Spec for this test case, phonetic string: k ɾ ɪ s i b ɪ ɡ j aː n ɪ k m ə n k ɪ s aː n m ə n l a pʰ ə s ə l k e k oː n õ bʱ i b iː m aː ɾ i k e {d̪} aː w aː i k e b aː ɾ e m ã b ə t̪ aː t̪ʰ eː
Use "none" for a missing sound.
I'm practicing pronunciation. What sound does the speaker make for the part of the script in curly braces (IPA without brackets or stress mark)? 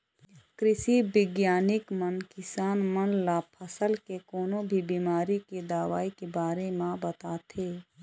d̪